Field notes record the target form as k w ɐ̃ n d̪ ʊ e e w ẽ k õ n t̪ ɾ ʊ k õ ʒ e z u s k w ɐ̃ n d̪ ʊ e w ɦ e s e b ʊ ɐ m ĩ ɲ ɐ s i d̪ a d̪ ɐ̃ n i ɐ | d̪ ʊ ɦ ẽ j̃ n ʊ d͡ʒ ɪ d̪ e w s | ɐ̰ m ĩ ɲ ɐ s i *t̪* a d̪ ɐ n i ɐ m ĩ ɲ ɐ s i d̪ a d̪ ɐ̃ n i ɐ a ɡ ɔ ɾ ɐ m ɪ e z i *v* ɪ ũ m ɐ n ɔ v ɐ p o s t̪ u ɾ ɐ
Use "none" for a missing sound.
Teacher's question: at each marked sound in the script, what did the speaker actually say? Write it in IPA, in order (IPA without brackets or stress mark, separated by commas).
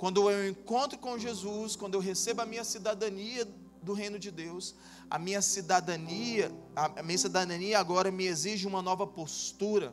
d̪, ʒ